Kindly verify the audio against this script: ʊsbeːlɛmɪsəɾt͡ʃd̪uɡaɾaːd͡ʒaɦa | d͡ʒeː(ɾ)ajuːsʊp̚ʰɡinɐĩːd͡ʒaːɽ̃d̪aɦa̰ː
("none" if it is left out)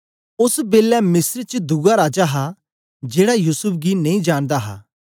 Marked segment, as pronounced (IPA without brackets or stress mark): ɽ